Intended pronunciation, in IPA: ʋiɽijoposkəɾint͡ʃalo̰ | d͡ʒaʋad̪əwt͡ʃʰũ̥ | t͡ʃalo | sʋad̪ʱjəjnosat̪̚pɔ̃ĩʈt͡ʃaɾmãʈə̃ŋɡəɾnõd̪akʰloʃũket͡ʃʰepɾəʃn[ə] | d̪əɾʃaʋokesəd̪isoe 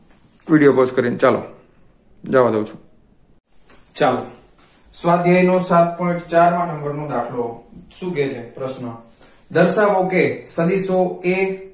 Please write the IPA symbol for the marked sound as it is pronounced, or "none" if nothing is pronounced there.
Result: ə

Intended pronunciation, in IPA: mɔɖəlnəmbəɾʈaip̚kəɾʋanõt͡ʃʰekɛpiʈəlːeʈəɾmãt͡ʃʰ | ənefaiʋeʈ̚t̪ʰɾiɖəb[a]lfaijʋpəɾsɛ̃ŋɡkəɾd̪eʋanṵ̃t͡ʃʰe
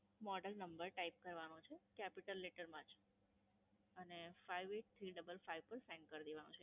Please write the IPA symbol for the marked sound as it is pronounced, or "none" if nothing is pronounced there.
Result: ə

